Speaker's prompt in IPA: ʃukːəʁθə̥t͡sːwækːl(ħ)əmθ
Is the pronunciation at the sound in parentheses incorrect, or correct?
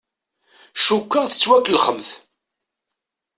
incorrect